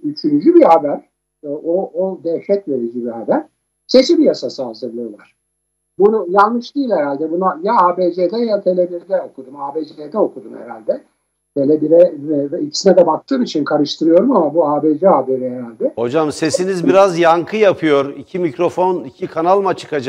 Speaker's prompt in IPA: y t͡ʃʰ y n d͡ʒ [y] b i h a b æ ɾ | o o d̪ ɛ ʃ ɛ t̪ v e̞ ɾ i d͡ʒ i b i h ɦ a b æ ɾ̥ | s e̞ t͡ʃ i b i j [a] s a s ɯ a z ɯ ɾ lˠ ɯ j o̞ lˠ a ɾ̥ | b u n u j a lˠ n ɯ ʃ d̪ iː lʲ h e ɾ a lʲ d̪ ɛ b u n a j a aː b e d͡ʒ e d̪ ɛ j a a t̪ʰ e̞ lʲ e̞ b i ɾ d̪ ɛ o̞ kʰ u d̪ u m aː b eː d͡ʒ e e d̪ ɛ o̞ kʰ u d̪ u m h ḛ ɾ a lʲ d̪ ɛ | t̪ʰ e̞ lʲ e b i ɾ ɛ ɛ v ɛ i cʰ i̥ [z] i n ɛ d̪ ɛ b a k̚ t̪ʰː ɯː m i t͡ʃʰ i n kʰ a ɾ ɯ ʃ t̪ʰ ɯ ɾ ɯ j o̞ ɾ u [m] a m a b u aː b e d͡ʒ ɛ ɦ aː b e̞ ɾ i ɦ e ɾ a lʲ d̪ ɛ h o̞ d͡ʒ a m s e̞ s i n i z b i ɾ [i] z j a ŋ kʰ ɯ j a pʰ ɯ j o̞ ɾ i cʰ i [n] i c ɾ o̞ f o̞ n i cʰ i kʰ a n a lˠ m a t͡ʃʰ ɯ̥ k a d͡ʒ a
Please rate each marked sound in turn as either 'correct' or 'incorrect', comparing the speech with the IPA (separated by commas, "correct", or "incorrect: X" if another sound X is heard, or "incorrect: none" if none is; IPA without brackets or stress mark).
correct, correct, incorrect: s, correct, incorrect: a, incorrect: m